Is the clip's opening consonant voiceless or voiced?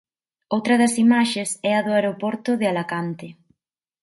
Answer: voiced